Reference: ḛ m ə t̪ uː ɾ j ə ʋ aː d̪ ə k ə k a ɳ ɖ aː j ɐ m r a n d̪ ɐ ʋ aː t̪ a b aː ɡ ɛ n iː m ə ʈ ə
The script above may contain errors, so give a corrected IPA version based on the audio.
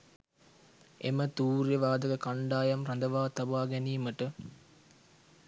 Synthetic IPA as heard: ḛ m ə t̪ uː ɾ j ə ʋ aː d̪ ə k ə k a ɳ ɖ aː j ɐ m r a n d̪ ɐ ʋ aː t̪ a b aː ɡ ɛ n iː m ə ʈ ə